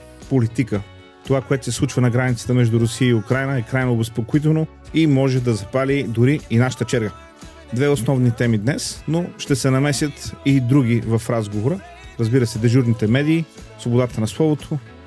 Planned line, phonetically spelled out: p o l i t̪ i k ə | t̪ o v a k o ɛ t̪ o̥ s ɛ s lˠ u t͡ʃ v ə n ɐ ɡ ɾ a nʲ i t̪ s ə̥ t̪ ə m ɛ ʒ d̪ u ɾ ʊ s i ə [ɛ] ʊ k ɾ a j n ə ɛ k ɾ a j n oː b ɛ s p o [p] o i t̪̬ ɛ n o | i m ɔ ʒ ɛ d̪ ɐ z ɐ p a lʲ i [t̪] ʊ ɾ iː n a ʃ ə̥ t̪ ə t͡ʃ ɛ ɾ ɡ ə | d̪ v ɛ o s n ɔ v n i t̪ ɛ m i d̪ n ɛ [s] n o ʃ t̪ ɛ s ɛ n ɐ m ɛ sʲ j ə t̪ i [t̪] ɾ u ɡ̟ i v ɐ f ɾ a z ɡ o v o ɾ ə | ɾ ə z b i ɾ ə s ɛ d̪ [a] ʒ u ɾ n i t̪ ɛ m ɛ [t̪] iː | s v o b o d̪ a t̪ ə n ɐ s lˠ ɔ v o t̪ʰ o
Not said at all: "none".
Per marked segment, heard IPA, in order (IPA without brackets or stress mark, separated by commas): i, k, d̪, s, d̪, ɛ, d̪